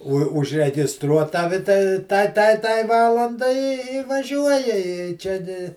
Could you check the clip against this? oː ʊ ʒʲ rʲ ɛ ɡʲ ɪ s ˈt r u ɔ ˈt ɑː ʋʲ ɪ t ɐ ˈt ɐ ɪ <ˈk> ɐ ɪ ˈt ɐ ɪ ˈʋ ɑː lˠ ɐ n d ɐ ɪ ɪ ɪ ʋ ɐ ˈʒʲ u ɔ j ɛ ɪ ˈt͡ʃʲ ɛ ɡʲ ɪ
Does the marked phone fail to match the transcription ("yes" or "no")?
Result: yes